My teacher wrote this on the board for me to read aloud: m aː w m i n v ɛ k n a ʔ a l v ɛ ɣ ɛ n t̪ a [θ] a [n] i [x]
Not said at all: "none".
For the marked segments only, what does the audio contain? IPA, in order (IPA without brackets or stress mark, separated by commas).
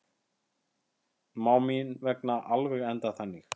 θ, nː, x